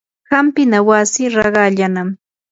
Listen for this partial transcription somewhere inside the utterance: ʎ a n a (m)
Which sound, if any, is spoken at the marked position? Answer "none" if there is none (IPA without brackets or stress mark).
m